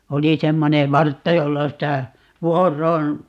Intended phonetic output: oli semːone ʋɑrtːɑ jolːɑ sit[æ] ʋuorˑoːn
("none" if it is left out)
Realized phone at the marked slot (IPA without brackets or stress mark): æ